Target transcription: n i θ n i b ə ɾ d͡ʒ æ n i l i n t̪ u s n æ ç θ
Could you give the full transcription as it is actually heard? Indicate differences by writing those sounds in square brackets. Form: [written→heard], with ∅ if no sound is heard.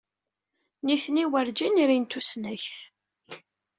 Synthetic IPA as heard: n i θ n i [b→w] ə ɾ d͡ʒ [æ→i] n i [l→ɾ] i n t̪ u s n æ ç θ